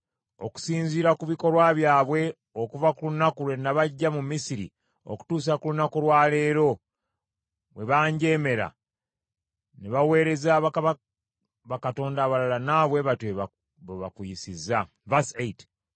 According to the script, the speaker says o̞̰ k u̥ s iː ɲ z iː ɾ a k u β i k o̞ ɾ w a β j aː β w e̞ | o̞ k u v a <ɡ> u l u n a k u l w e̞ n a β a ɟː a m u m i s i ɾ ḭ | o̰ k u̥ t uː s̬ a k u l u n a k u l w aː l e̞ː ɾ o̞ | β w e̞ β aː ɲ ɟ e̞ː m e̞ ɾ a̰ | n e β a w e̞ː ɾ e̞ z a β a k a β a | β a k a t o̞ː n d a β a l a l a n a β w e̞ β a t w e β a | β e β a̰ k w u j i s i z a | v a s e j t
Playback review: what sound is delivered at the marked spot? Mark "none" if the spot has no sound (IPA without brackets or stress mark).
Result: k